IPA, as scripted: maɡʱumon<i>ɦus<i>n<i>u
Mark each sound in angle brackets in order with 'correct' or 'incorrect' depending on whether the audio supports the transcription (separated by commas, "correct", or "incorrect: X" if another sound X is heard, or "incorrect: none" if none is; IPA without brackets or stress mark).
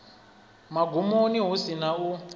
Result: correct, correct, incorrect: a